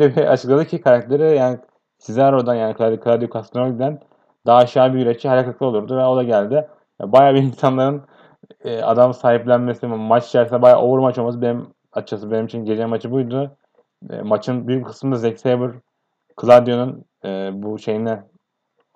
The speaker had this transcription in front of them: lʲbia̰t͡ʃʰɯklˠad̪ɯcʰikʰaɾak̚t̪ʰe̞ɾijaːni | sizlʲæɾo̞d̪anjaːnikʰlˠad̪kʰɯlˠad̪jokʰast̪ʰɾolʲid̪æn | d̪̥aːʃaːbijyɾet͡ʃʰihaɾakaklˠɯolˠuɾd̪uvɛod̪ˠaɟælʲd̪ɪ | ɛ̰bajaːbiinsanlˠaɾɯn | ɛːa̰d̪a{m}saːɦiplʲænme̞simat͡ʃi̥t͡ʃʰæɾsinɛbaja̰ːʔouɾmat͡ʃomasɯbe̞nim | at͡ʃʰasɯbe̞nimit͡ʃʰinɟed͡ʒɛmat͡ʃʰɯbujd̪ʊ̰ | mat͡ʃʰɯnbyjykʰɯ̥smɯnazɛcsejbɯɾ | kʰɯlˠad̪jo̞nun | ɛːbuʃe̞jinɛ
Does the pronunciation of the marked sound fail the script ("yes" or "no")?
no